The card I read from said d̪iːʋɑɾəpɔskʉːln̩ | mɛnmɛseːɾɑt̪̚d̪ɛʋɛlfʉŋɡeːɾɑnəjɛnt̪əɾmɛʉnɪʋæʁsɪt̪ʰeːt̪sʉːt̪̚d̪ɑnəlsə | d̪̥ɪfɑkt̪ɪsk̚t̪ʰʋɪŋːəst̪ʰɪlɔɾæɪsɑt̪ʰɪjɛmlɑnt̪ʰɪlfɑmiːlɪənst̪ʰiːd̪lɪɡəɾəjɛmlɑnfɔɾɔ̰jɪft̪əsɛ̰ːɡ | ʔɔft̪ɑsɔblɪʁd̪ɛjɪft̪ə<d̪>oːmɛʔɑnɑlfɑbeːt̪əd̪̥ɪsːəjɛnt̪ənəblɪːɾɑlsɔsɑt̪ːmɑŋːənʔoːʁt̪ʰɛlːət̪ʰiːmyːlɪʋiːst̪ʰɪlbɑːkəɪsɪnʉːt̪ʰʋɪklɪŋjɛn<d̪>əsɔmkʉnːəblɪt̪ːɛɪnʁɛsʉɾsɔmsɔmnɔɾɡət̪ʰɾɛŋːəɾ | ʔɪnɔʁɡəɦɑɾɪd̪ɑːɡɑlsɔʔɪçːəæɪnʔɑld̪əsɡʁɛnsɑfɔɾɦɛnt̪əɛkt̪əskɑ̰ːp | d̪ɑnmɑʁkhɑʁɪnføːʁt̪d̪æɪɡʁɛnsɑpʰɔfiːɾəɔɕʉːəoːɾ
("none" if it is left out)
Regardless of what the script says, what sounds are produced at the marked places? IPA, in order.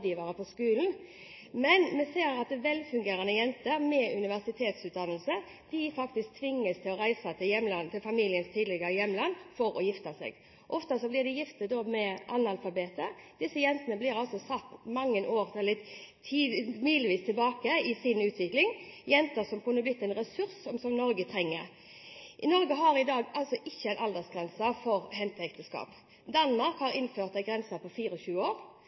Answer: d̪, t̪

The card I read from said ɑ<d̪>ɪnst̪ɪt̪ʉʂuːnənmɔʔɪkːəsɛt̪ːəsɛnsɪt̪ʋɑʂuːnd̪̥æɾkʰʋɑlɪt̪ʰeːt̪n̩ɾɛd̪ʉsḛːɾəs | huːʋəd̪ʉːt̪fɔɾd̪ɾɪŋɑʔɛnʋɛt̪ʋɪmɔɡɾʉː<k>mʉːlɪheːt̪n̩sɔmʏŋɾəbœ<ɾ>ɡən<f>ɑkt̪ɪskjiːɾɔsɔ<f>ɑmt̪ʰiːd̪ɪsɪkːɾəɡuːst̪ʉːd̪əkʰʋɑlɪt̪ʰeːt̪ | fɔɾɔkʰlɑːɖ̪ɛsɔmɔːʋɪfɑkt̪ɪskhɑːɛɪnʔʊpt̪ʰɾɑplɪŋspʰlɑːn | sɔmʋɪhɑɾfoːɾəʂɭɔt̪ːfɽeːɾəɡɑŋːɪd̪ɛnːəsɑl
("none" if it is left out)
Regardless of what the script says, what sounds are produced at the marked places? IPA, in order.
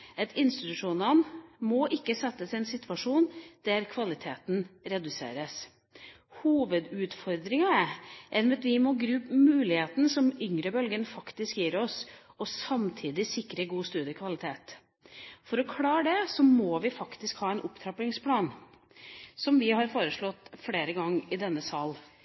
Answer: t̪, p, l, f, s

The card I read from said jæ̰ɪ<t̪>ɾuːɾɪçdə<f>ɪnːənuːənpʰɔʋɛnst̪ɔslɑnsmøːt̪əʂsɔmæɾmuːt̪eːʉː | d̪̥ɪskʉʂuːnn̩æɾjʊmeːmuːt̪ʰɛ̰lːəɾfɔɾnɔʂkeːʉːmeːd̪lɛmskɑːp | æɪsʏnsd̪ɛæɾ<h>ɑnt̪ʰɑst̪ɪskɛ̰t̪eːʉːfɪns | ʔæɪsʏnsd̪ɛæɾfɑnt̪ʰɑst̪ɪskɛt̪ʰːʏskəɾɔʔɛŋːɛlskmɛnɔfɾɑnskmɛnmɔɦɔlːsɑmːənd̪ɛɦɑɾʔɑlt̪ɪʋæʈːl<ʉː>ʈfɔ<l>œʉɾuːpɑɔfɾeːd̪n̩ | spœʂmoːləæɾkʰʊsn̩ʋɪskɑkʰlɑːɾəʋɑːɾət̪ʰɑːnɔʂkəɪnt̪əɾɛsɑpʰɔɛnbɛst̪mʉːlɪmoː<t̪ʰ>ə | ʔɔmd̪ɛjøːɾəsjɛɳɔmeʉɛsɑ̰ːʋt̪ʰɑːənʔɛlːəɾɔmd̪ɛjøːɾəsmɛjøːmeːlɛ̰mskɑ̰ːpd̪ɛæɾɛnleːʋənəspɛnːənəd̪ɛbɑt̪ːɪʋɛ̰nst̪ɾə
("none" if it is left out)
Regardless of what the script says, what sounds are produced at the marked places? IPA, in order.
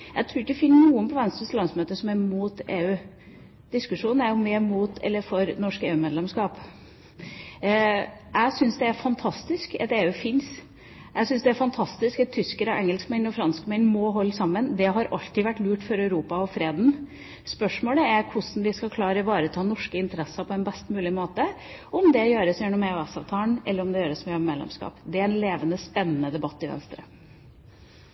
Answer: t̪ʰ, f, f, ʉː, ɾ, t̪

